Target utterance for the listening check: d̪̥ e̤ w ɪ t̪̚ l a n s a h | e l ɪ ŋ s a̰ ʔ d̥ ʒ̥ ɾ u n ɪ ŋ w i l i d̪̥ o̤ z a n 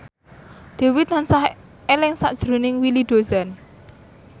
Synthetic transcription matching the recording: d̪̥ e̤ w ɪ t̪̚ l a n s a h | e l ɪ ŋ s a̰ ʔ d̥ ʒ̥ ɾ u n ɪ ŋ w i l i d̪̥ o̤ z a n